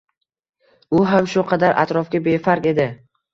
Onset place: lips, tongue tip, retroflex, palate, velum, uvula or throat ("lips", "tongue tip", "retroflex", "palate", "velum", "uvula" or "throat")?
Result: throat